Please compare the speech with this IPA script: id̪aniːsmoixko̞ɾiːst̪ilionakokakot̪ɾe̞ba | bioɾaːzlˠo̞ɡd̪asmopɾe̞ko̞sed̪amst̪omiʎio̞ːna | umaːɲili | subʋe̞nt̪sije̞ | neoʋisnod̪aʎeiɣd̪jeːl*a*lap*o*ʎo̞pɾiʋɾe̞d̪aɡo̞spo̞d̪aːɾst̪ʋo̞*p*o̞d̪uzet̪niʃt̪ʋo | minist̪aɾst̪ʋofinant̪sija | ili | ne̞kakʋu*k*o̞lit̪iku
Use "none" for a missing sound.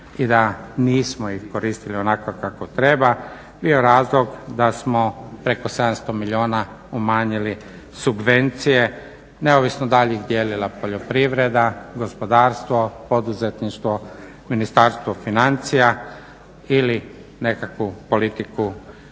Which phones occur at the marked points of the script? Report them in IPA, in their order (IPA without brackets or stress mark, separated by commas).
i, o, p, p